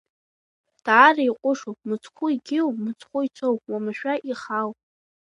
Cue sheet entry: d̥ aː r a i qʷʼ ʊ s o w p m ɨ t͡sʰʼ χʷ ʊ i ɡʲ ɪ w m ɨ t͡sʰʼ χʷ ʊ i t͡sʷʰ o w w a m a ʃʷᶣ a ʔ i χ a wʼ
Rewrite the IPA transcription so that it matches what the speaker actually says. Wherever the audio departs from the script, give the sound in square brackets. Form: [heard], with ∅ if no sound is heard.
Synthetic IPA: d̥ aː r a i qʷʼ ʊ [ʂ] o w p m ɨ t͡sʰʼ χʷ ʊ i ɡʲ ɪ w m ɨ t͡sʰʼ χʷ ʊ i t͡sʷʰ o w w a m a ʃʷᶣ a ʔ i χ a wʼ